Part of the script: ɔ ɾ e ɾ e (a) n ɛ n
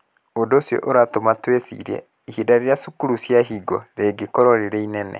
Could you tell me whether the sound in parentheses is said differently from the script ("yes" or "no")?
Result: yes